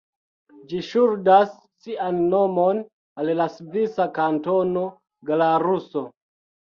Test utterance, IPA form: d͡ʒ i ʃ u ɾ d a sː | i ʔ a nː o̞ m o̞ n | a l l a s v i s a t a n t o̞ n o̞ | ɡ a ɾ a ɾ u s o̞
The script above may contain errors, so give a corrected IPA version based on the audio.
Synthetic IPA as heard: d͡ʒ i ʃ u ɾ d a sː | i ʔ a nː o̞ m o̞ n | a l l a s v i s a k a n t o̞ n o̞ | ɡ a l a ɾ u s o̞